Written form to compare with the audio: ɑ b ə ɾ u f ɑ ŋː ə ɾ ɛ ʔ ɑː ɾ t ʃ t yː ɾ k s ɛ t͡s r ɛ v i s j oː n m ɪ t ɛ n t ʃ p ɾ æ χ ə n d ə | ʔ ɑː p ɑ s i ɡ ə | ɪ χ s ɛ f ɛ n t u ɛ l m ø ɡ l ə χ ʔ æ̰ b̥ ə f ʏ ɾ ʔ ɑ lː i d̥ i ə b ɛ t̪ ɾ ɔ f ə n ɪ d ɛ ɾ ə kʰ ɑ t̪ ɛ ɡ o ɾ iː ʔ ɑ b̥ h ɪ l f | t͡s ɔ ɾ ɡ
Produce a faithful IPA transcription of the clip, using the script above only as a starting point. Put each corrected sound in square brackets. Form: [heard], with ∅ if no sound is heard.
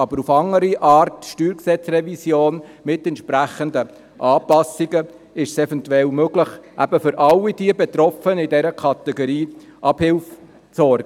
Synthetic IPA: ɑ b ə ɾ u f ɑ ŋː ə ɾ [i] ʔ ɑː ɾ t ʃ t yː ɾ k s ɛ t͡s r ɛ v i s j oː n m ɪ t ɛ n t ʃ p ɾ æ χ ə n d ə | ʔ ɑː p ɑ s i ɡ ə | ɪ [ʃ] s ɛ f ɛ n t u ɛ l m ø ɡ l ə χ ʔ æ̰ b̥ ə f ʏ ɾ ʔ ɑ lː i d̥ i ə b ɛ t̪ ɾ ɔ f ə n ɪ d ɛ ɾ ə kʰ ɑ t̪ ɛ ɡ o ɾ iː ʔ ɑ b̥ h ɪ l f | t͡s ɔ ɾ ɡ